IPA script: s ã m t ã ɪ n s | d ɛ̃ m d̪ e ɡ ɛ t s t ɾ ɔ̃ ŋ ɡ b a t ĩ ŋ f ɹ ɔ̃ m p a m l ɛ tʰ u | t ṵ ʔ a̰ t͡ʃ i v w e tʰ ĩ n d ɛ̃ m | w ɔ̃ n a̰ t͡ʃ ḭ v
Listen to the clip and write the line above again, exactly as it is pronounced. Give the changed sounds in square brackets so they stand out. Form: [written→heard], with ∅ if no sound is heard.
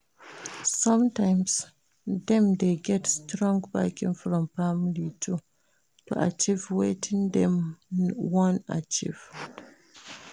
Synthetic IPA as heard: s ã m t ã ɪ [n→m] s | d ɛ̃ m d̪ e ɡ ɛ t s t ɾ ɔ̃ ŋ ɡ b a [t→k] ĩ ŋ f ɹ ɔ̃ m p a m l [ɛ→i] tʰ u | t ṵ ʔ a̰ t͡ʃ i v w e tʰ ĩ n d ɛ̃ m | w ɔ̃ n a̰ t͡ʃ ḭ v